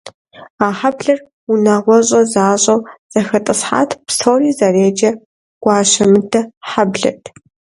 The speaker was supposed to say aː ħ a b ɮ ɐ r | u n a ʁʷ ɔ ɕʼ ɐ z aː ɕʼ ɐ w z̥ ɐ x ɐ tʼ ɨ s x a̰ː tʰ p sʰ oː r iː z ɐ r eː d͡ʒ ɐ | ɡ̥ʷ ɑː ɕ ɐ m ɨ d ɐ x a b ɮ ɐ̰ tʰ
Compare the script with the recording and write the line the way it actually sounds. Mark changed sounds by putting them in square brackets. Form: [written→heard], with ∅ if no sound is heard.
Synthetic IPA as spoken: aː ħ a b ɮ ɐ r | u n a ʁʷ ɔ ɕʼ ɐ z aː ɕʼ ɐ w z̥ ɐ x ɐ tʼ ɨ s [x→ħ] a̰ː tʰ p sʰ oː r iː z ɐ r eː d͡ʒ ɐ | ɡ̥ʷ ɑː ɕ ɐ m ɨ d ɐ [x→ħ] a b ɮ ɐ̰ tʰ

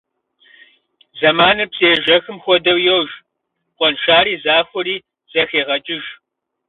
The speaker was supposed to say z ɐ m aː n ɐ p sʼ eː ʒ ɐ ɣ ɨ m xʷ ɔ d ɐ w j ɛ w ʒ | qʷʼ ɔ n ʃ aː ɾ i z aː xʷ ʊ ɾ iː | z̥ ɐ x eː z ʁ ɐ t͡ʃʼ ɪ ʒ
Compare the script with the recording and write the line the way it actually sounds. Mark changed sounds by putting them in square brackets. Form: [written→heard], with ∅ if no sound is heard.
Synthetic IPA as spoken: z ɐ m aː n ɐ p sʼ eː ʒ ɐ [ɣ→x] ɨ m xʷ ɔ d ɐ w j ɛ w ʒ | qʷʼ ɔ n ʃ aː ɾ [i→iː] z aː xʷ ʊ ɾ iː | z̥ ɐ x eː [z→∅] ʁ ɐ t͡ʃʼ ɪ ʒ

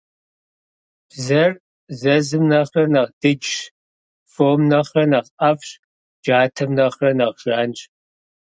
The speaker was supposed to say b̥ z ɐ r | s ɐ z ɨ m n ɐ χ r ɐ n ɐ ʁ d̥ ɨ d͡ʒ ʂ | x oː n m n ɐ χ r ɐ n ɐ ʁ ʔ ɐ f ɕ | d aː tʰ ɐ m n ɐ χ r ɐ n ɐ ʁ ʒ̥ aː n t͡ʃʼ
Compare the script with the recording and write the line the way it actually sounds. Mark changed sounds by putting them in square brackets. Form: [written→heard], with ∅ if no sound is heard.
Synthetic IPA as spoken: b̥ z ɐ r | [s→z] ɐ z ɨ m n ɐ χ r ɐ n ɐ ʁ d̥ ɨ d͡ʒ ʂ | [x→f] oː [n→∅] m n ɐ χ r ɐ n ɐ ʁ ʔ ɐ f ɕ | [d→d͡ʒ] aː tʰ ɐ m n ɐ χ r ɐ n ɐ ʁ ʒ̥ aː n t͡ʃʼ

